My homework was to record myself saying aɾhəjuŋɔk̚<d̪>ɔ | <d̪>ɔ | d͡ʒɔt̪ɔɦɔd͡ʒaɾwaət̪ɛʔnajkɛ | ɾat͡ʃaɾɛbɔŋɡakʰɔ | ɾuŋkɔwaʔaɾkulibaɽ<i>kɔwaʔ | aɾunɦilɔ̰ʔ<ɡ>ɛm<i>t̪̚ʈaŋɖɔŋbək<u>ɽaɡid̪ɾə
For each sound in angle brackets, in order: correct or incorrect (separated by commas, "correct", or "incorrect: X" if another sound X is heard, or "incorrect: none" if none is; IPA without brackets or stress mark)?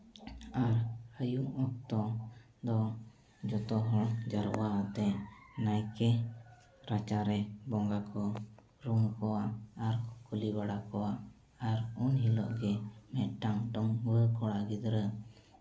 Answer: incorrect: t̪, correct, incorrect: a, correct, incorrect: ɛ, incorrect: ɔ